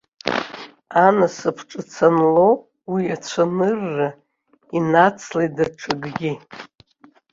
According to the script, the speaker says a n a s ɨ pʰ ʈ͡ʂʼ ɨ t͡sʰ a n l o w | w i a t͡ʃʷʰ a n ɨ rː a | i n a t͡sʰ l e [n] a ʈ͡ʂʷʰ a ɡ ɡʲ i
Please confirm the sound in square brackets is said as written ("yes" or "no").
no